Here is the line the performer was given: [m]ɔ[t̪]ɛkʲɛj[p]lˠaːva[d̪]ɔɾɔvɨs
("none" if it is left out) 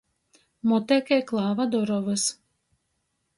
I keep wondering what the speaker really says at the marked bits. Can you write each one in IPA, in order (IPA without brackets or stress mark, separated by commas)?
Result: m, t̪, k, d̪